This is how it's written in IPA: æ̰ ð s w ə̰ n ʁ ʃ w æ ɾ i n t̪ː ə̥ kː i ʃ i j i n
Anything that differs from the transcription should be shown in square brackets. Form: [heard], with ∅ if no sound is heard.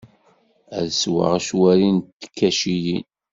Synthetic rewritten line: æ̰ ð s w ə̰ [∅] ʁ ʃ w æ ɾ i n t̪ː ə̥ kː [æ] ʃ i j i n

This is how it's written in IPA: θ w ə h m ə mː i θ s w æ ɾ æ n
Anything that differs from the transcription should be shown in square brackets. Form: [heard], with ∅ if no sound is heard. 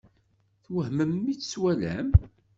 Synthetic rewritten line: θ w ə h m ə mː i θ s w æ [l] æ [m]

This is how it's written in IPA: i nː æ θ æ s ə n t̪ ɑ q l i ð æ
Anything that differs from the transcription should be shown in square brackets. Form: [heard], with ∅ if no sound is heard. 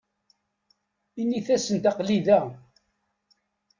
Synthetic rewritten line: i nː [i] θ æ s ə n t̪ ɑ q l i ð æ

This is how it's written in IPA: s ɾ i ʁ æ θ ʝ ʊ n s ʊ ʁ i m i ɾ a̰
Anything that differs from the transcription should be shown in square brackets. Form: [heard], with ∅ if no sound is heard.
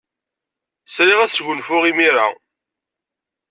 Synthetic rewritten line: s ɾ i ʁ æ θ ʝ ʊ n [f] ʊ ʁ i m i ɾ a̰

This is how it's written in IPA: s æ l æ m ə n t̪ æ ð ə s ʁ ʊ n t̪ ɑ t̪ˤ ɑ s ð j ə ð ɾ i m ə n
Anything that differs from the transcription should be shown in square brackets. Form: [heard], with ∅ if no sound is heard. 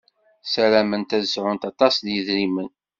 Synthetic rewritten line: s æ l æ m ə n t̪ æ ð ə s [ʕ] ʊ n t̪ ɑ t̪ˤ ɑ s ð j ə ð ɾ i m ə n

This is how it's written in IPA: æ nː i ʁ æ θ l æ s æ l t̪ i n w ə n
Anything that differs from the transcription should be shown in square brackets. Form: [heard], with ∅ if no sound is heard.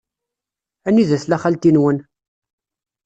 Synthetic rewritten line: æ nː i [ð] æ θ l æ [χ] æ l t̪ i n w ə n

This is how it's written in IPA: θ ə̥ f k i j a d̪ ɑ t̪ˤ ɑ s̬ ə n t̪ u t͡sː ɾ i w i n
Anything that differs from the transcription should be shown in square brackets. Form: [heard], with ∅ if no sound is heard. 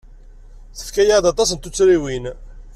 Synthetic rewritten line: θ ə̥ f k [æ] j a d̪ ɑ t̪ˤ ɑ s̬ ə n t̪ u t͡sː ɾ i w i n

